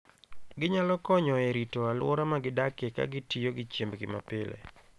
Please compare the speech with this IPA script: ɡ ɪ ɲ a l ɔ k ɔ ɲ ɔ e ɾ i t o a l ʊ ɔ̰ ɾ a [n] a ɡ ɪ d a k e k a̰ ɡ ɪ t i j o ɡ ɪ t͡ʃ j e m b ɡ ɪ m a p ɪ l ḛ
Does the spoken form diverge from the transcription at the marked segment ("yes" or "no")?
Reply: yes